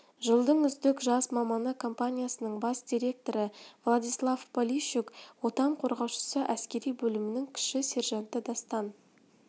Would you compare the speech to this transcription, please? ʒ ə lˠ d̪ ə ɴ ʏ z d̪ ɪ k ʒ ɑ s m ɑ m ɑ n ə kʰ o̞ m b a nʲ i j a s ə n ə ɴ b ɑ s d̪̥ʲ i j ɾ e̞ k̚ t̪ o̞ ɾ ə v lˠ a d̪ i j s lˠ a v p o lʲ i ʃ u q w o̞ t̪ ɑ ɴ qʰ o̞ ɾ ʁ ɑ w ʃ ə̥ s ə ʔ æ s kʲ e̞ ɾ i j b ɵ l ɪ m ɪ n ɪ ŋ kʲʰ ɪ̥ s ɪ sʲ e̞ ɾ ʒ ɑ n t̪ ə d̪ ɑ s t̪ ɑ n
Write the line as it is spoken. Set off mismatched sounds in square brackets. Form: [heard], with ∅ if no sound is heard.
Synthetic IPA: ʒ ə lˠ d̪ ə ɴ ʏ z d̪ ɪ k ʒ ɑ s m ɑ m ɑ n ə kʰ o̞ m [p] a nʲ i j a s ə n ə ɴ b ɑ s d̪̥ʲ i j ɾ e̞ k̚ t̪ o̞ ɾ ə v lˠ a d̪ i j s lˠ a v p o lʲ i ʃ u [k] w o̞ t̪ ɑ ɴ qʰ o̞ ɾ ʁ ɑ w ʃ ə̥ s ə ʔ æ s kʲ e̞ ɾ i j b ɵ l ɪ m ɪ n ɪ ŋ kʲʰ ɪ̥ [ʃ] ɪ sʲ e̞ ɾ ʒ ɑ n t̪ ə d̪ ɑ s t̪ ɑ n